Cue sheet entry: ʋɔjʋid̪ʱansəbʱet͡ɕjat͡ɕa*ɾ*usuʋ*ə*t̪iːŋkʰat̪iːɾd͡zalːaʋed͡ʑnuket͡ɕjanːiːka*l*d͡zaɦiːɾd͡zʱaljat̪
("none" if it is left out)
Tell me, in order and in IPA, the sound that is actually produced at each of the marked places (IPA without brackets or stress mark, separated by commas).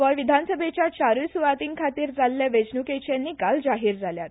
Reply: ɾ, a, l